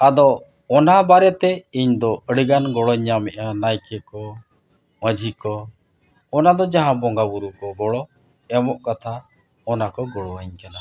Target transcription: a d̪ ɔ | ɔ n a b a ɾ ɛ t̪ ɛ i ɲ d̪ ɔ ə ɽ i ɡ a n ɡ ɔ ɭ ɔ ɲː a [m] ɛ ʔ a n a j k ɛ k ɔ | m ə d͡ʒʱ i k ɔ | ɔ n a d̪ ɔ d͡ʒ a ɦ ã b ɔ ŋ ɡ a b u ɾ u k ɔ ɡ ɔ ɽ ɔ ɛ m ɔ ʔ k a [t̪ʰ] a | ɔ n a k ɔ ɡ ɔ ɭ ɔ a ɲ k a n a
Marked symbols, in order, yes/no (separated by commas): yes, yes